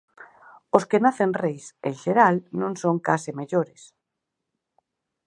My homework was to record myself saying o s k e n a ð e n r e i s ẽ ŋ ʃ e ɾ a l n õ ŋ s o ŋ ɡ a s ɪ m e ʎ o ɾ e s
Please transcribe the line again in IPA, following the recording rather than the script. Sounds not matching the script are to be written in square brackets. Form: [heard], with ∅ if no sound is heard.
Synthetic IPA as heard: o s k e n a [θ] e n r e [j] s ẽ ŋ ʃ e ɾ a l n õ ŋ s o ŋ [k] a s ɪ m e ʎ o ɾ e s